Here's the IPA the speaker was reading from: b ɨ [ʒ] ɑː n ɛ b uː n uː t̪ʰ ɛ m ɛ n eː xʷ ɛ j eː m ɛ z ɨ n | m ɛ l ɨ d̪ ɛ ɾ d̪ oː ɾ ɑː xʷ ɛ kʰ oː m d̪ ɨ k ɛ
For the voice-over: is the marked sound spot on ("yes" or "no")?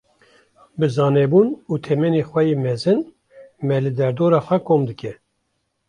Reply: no